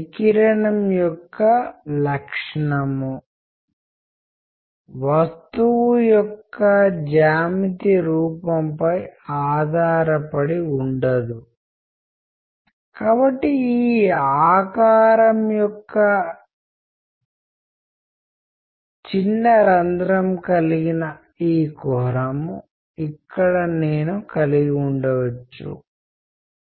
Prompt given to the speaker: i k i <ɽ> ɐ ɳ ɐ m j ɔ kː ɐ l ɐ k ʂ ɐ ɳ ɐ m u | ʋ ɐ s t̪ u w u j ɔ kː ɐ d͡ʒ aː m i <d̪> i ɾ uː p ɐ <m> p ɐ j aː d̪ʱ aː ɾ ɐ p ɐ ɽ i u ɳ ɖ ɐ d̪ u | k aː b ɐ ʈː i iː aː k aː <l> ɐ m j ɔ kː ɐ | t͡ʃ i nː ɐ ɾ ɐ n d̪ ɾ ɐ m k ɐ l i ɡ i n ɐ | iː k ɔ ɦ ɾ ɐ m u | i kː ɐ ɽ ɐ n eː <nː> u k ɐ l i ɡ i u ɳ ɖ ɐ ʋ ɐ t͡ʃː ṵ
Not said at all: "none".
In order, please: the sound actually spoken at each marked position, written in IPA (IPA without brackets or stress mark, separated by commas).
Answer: ɾ, t̪, m, ɾ, n